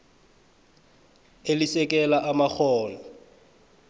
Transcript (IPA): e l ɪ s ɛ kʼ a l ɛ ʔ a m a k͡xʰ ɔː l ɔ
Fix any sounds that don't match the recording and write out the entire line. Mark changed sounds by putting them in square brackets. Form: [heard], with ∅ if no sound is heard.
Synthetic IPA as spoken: e l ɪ s ɛ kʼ [ɛ] l [a] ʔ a m a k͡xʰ ɔː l ɔ